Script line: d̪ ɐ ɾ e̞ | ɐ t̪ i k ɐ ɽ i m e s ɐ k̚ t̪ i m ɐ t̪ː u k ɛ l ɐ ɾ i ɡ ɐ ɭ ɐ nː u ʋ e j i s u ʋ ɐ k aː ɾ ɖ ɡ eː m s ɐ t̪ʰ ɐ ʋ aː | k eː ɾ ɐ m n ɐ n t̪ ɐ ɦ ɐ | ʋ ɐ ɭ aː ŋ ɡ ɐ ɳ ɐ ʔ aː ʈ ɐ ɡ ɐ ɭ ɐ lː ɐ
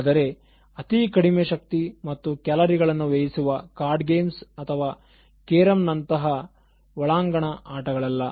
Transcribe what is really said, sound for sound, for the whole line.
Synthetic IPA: d̪ ɐ ɾ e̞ | ɐ t̪ i k ɐ ɽ i m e ʃ ɐ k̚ t̪ i m ɐ t̪ː u k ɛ l ɐ ɾ i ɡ ɐ ɭ ɐ nː u ʋ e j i s u ʋ ɐ k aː ɾ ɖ ɡ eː m s ɐ t̪ʰ ɐ ʋ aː | k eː ɾ ɐ m n ɐ n t̪ ɐ ɦ ɐ | ʋ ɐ ɭ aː ŋ ɡ ɐ ɳ ɐ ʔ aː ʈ ɐ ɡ ɐ ɭ ɐ lː ɐ